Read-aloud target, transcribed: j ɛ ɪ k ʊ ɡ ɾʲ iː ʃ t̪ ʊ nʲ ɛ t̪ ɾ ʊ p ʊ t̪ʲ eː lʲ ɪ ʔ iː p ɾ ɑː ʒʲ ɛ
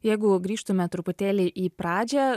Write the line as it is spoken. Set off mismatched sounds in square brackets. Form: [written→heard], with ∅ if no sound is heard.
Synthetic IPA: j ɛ ɪ [k→ɡ] ʊ ɡ ɾʲ iː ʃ t̪ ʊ [nʲ→mʲ] ɛ t̪ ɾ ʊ p ʊ t̪ʲ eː lʲ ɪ ʔ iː p ɾ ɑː [ʒʲ→d͡ʒʲ] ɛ